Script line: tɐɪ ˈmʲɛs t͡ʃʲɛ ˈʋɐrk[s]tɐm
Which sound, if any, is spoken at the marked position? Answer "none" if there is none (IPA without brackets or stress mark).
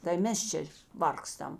s